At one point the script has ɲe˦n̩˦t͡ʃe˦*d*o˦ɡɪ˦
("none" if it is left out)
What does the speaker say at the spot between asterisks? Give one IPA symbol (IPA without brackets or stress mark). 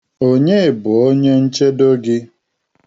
d